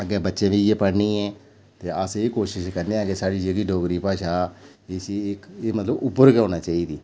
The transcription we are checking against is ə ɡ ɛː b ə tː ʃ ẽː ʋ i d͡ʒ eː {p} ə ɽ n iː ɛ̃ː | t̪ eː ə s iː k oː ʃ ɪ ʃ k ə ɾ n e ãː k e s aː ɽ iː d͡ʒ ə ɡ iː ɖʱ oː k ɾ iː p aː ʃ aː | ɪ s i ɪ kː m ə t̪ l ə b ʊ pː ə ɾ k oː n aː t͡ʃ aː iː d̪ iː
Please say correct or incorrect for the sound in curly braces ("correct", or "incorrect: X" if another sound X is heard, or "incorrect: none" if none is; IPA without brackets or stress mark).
correct